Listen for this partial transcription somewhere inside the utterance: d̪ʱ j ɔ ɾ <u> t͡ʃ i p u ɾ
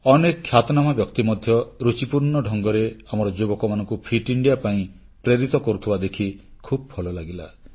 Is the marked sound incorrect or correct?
correct